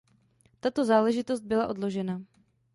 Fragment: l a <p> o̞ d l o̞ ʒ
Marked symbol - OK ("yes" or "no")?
no